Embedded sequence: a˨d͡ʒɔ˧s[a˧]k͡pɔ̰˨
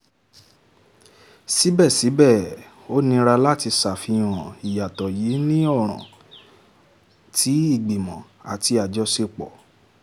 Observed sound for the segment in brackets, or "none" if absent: e˧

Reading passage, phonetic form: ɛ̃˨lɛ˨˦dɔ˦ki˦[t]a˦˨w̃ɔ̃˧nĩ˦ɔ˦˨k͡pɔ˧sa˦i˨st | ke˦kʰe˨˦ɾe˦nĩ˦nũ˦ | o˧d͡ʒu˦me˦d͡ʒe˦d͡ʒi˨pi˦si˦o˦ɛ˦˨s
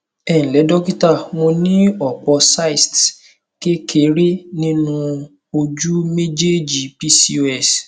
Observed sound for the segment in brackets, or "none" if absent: t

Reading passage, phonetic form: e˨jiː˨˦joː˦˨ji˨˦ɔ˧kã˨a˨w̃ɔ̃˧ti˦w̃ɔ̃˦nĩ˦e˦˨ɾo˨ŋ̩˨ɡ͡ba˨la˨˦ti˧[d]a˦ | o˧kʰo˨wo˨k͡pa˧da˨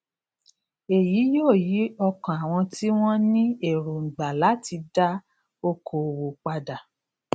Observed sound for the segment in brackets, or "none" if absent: d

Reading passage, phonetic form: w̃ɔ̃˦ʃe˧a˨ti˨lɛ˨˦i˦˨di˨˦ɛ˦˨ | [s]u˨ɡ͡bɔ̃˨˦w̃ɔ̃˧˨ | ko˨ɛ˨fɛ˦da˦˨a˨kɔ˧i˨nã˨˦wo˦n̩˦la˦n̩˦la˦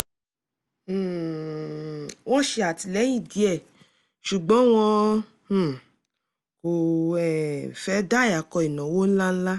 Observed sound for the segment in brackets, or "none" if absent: ʃ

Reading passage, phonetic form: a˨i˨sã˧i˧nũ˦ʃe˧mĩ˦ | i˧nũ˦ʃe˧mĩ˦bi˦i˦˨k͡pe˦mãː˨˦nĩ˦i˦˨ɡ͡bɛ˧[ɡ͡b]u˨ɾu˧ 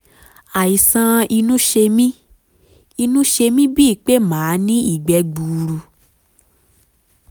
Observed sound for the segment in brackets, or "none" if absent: ɡ͡b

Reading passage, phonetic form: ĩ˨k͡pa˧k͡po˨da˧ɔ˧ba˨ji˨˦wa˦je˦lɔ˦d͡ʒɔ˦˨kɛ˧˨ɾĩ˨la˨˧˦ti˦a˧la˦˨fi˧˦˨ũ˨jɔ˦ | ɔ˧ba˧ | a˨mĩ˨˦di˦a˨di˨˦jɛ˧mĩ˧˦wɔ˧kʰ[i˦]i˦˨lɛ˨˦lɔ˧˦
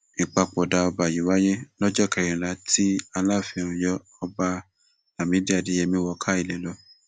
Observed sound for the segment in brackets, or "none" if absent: a˦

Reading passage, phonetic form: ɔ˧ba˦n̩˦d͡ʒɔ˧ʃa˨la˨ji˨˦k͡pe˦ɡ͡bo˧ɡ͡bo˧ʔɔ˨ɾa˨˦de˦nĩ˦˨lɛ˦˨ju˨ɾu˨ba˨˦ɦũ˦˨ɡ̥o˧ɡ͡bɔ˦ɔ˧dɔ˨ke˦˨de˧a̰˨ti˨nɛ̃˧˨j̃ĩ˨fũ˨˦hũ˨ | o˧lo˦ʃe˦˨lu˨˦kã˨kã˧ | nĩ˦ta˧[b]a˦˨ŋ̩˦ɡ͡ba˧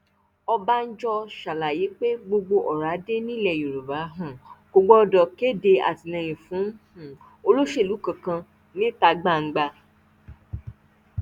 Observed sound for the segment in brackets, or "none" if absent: ɡ͡b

